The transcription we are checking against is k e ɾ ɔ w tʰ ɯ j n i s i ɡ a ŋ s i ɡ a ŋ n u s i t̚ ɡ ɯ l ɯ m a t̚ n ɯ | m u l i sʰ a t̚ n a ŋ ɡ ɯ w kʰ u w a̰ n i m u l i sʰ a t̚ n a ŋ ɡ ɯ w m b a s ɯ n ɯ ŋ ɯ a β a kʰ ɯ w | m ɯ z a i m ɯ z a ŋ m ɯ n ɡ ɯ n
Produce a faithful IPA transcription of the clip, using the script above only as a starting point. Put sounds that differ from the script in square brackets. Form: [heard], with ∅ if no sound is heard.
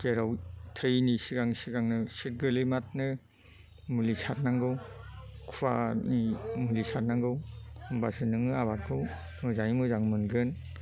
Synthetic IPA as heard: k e ɾ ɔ w tʰ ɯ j n i s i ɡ a ŋ s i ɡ a ŋ n [ɯ] s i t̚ ɡ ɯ l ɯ m a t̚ n ɯ | m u l i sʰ a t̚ n a ŋ ɡ ɯ w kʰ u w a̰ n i m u l i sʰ a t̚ n a ŋ ɡ ɯ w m b a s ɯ n ɯ ŋ ɯ a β a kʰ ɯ w | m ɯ z a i m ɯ z a ŋ m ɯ n ɡ ɯ n

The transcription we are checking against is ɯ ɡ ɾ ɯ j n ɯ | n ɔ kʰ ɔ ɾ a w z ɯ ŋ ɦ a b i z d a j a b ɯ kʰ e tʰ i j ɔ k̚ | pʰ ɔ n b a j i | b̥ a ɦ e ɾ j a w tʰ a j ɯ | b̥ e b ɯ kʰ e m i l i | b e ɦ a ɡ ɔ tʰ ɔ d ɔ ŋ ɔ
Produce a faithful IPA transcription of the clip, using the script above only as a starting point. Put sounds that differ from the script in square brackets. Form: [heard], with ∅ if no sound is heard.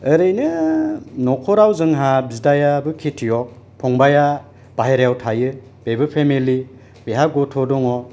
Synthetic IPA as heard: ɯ [∅] ɾ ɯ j n ɯ | n ɔ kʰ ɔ ɾ a w z ɯ ŋ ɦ a b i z d a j a b ɯ kʰ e tʰ i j ɔ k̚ | pʰ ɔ [ŋ] b a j [a] | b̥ a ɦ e ɾ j a w tʰ a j ɯ | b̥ e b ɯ [pʰ] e m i l i | b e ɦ a ɡ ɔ tʰ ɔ d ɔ ŋ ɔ

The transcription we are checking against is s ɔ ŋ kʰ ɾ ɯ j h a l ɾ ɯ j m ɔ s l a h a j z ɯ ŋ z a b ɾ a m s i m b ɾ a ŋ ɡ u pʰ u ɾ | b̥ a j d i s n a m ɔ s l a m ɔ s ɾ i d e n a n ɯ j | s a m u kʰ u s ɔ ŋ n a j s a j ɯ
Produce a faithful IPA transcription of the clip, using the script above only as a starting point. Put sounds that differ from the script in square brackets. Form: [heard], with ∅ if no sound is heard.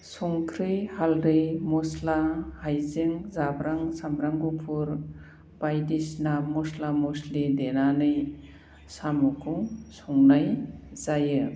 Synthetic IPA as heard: s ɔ ŋ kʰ ɾ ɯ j h a l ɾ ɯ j m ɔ s l a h a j z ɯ ŋ z a b ɾ a [ŋ] s [a] m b ɾ a ŋ ɡ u pʰ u ɾ | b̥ a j d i s n a m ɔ s l a m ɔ s [l] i d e n a n ɯ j | s a m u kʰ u s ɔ ŋ n a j [z] a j ɯ

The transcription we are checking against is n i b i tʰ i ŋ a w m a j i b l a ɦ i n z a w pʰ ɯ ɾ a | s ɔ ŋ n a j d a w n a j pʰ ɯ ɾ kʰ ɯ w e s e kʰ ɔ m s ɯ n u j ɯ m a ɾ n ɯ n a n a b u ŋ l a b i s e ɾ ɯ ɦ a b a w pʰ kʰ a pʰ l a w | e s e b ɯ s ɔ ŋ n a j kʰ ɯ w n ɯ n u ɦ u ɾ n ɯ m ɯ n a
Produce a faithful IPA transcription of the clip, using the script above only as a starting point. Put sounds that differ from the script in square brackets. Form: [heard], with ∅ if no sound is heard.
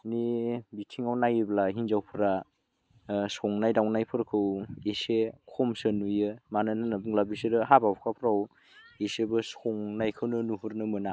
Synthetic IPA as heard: n i b i tʰ i ŋ a w [n] a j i b l a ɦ i n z a w pʰ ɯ ɾ a | s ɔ ŋ n a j d a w n a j pʰ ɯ ɾ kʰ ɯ w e s e kʰ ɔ m s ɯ n u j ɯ m a [∅] n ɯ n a n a b u ŋ l a b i s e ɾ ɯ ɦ a b a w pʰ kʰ a pʰ [ɾ] a w | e s e b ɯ s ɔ ŋ n a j kʰ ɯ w n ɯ n u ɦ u ɾ n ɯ m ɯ n a

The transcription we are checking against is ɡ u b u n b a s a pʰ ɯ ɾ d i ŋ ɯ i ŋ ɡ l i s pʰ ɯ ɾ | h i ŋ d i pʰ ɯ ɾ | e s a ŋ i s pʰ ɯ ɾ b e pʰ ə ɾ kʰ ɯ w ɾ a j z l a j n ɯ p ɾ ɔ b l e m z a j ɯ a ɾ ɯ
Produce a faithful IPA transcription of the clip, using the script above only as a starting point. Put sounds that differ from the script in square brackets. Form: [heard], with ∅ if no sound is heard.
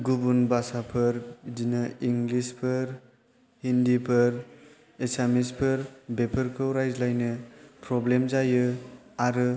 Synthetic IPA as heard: ɡ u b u n b a s a pʰ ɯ ɾ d i [n] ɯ i ŋ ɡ l i s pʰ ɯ ɾ | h i [n] d i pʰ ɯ ɾ | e s a [m] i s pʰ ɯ ɾ b e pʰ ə ɾ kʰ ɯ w ɾ a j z l a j n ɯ p ɾ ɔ b l e m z a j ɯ a ɾ ɯ

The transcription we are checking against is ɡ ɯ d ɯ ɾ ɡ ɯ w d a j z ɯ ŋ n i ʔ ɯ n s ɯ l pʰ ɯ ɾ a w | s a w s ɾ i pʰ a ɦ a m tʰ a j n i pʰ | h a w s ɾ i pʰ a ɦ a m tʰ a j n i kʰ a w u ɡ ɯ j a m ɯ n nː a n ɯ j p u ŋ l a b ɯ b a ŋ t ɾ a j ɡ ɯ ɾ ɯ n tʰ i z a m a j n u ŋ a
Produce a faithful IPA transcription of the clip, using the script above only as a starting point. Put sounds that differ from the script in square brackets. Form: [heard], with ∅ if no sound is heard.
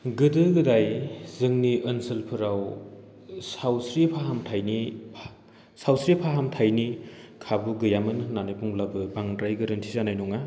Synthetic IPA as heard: ɡ ɯ d ɯ [∅] ɡ ɯ [∅] d a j z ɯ ŋ n i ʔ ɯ n s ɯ l pʰ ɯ ɾ a w | s a w s ɾ i pʰ a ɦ a m tʰ a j n i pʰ | [s] a w s ɾ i pʰ a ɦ a m tʰ a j n i kʰ a [b] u ɡ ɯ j a m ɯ n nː a n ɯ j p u ŋ l a b ɯ b a ŋ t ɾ a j ɡ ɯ ɾ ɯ n tʰ i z a [n] a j n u ŋ a

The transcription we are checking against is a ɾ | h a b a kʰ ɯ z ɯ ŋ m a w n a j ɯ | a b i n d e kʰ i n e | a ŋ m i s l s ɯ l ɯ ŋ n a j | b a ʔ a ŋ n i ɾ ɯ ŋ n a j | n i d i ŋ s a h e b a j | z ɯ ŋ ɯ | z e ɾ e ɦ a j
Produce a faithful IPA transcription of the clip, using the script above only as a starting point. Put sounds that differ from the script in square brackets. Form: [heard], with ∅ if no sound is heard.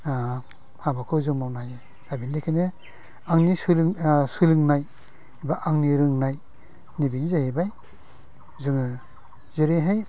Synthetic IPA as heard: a [∅] | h a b a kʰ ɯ z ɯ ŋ m a w n a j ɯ | a b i n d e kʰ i n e | a ŋ [n] i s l s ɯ l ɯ ŋ n a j | b a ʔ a ŋ n i ɾ ɯ ŋ n a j | n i [b] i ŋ [z] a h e b a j | z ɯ ŋ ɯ | z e ɾ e ɦ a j

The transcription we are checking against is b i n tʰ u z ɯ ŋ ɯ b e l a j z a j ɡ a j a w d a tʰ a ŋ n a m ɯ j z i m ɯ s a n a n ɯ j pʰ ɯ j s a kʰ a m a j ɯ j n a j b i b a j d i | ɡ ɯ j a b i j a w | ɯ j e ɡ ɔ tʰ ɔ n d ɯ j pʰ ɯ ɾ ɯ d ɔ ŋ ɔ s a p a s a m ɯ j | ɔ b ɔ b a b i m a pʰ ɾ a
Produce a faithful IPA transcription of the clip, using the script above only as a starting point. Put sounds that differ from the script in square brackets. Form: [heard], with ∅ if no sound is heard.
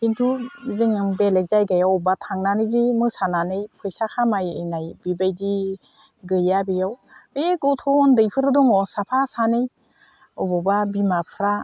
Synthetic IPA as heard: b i n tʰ u z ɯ ŋ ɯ b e l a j z a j ɡ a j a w [b] a tʰ a ŋ n a [n] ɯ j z i m ɯ s a n a n ɯ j pʰ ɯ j s a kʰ a m a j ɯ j n a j b i b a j d i | ɡ ɯ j a b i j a w | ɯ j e ɡ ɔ tʰ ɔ n d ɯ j pʰ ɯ ɾ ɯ d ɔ ŋ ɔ s a [pʰ] a s a [n] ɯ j | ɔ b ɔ b a b i m a pʰ ɾ a

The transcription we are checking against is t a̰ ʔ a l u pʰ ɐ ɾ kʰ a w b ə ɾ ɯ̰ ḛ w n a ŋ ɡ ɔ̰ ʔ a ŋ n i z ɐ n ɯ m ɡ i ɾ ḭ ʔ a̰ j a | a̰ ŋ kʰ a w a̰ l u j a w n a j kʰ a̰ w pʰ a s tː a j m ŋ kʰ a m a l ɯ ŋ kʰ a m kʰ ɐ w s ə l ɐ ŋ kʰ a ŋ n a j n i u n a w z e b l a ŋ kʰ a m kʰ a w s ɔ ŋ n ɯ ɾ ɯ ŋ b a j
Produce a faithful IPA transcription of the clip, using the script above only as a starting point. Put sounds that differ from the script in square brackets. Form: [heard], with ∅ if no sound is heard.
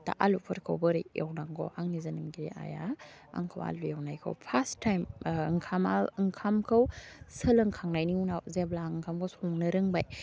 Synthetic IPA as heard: t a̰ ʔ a l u pʰ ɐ ɾ kʰ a w b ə ɾ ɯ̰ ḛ w n a ŋ ɡ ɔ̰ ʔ a ŋ n i z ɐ n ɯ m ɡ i ɾ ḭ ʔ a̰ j a | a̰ ŋ kʰ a w a̰ l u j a w n a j kʰ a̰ w pʰ a s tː a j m ŋ kʰ a m a l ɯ ŋ kʰ a m kʰ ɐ w s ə l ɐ ŋ kʰ a ŋ n a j n i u n a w z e b l a ŋ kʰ a m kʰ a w s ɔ ŋ n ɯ ɾ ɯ ŋ b a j

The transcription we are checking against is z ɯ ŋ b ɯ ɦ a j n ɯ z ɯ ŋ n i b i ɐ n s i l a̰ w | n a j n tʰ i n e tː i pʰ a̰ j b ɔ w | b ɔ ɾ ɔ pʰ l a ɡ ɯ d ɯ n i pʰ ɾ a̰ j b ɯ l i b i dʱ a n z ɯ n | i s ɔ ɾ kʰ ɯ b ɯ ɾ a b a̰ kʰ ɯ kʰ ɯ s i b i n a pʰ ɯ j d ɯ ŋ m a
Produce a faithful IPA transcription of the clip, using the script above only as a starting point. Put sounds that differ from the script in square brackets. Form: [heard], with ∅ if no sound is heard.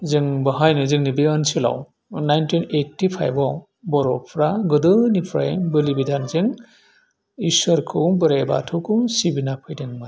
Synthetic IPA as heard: z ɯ ŋ b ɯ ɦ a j n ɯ z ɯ ŋ n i b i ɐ n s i l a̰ w | n a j n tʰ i n e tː i pʰ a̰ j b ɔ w | b ɔ ɾ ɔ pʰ [ɾ] a ɡ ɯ d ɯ n i pʰ ɾ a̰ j b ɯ l i b i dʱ a n z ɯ [ŋ] | i s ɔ ɾ kʰ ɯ b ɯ ɾ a b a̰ [tʰ] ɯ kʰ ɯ s i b i n a pʰ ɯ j d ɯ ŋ m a

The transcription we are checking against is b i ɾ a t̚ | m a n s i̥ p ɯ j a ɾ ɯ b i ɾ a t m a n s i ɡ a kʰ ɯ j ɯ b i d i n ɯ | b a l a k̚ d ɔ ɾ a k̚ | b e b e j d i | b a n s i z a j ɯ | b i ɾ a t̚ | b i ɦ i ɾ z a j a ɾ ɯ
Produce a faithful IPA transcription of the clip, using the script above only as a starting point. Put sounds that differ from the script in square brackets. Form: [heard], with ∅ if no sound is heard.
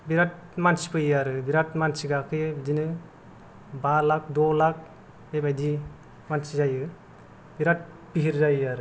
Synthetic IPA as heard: b i ɾ a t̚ | m a n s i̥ p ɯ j a ɾ ɯ b i ɾ a t m a n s i ɡ a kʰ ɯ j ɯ b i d i n ɯ | b a l a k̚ d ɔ [l] a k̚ | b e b [a] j d i | [m] a n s i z a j ɯ | b i ɾ a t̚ | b i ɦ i ɾ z a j a ɾ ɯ

